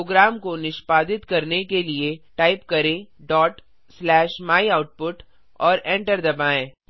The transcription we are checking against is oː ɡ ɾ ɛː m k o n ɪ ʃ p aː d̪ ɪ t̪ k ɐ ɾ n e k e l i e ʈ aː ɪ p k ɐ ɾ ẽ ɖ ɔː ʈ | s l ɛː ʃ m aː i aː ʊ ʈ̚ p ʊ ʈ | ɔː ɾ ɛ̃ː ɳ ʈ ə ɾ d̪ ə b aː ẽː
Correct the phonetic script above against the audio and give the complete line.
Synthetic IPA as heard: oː ɡ ɾ aː m k o n ɪ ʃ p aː d̪ ɪ t̪ k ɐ ɾ n e k e l i e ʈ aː ɪ p k ɐ ɾ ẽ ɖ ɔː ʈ | s l ɛː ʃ m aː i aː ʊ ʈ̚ p ʊ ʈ | ɔː ɾ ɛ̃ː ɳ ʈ ə ɾ d̪ ɐ b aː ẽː